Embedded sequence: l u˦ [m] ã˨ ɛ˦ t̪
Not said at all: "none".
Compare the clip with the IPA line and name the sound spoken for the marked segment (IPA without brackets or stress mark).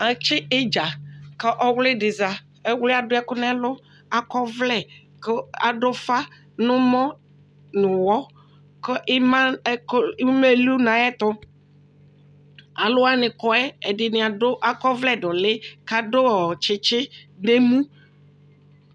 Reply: n